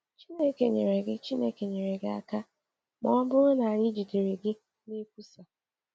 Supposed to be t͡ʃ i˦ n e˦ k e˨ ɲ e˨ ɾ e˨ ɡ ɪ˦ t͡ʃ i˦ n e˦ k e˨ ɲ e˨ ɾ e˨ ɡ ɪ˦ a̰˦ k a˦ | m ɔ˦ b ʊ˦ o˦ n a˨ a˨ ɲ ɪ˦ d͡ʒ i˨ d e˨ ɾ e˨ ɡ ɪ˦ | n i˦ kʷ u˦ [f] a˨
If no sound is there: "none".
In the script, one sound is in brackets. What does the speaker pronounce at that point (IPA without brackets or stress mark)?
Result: s